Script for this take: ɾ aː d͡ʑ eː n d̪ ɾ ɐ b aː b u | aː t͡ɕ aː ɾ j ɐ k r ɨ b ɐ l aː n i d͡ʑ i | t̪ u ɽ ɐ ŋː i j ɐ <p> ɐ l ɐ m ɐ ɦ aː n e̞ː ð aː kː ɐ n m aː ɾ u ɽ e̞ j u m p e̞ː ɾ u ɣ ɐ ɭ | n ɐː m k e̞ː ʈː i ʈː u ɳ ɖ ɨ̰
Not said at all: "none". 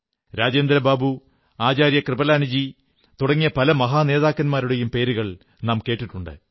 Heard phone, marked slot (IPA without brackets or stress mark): p